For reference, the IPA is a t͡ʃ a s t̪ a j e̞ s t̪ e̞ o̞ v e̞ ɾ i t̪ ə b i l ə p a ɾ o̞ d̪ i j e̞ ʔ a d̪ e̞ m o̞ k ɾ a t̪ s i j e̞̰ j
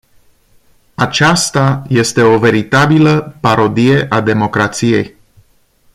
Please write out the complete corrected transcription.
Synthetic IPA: a t͡ʃ a s t̪ a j e̞ s t̪ e̞ o̞ v e̞ ɾ i t̪ a b i l ə p a ɾ o̞ d̪ i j e̞ ʔ a d̪ e̞ m o̞ k ɾ a t̪ s i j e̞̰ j